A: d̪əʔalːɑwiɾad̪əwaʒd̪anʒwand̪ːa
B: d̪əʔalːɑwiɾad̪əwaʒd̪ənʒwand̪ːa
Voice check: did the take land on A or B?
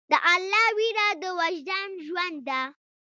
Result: A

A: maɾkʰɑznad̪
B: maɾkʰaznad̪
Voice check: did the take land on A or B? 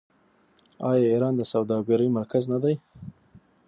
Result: B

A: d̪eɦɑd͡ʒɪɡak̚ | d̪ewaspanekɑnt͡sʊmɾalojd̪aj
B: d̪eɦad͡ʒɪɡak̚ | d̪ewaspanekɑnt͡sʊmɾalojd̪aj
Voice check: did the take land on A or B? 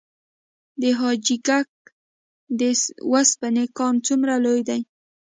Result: A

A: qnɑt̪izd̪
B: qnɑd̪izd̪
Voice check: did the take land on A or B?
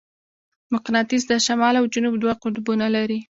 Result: A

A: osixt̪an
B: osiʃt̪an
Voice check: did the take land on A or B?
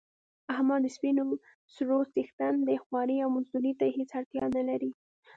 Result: A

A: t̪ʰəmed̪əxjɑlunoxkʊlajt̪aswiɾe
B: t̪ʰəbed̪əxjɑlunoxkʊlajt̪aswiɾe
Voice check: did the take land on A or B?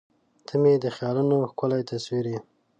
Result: A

